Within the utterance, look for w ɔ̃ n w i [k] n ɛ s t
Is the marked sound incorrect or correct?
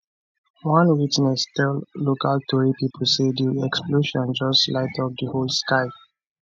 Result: incorrect